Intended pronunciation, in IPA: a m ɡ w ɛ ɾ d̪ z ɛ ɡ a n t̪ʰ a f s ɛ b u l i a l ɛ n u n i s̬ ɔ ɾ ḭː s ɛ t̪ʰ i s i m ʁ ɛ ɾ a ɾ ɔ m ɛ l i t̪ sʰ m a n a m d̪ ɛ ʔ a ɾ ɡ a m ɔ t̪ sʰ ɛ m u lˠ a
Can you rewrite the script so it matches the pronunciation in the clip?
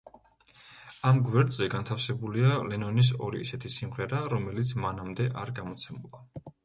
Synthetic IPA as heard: a m ɡ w ɛ ɾ d̪ z ɛ ɡ a n t̪ʰ a f s ɛ b u l i a l ɛ n ɔ n i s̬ ɔ ɾ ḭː s ɛ t̪ʰ i s i m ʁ ɛ ɾ a ɾ ɔ m ɛ l i t̪ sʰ m a n a m d̪ ɛ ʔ a ɾ ɡ a m ɔ t̪ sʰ ɛ m u lˠ a